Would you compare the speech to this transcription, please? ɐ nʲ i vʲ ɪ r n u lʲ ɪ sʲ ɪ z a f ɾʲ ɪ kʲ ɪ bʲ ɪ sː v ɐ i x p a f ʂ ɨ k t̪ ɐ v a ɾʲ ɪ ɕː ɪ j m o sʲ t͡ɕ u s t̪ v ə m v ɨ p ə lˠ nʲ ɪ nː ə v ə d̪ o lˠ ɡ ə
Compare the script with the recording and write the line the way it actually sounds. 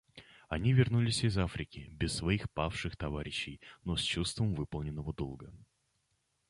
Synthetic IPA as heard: ɐ nʲ i vʲ ɪ r n u lʲ ɪ sʲ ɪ z a f ɾʲ ɪ kʲ ɪ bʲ ɪ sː v ɐ i x p a f ʂ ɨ x t̪ ɐ v a ɾʲ ɪ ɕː ɪ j n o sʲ t͡ɕ u s t̪ v ə m v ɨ p ə lˠ nʲ ɪ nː ə v ə d̪ o lˠ ɡ ə